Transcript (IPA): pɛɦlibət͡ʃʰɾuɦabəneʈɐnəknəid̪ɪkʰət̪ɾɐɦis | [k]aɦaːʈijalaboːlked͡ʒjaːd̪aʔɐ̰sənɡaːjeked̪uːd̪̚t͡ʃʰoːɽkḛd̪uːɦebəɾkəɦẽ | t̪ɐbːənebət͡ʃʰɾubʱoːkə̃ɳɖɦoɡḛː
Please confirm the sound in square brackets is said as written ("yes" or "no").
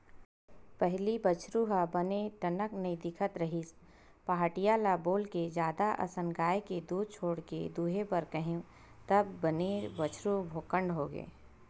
no